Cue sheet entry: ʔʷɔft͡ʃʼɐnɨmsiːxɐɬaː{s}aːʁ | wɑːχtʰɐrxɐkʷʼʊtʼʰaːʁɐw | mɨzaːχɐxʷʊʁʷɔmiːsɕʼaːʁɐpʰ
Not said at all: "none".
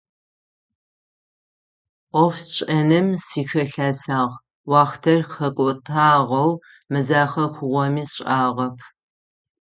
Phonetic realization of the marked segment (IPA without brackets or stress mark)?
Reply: s